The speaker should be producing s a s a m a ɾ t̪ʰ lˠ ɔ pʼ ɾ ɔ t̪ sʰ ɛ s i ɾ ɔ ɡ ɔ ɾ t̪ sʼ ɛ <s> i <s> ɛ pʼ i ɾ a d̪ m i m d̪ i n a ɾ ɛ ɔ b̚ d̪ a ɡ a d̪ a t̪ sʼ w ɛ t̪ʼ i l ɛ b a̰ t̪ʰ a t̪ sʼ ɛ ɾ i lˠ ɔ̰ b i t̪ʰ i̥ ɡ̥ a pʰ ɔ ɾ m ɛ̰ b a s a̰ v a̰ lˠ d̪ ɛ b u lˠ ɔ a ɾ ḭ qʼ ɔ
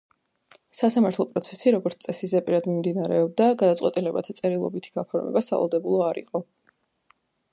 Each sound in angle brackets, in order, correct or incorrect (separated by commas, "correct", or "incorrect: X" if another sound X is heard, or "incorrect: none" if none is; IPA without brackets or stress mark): correct, incorrect: z